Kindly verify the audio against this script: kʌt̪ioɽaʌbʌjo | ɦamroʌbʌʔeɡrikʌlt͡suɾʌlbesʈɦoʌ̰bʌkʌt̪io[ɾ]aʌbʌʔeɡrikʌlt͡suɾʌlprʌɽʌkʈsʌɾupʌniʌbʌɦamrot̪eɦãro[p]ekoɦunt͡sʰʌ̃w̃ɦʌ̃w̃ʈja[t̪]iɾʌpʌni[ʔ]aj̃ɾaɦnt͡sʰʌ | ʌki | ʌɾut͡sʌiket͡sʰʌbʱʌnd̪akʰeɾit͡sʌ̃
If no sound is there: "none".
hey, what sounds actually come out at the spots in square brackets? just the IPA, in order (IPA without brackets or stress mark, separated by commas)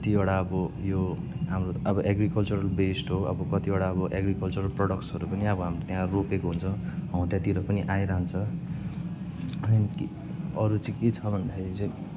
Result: ɽ, p, t̪, ʔ